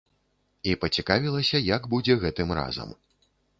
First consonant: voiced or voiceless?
voiceless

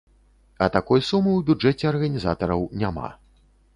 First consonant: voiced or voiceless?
voiceless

